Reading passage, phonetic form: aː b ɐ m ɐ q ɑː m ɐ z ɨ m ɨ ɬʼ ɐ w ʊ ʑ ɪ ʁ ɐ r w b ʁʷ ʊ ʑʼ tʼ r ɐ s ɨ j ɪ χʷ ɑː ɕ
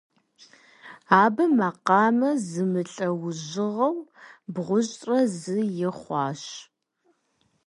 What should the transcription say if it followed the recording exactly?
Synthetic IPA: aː b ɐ m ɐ q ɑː m ɐ z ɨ m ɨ ɬʼ ɐ w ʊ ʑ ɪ ʁ ɐ w b ʁʷ ʊ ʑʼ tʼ r ɐ z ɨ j ɪ χʷ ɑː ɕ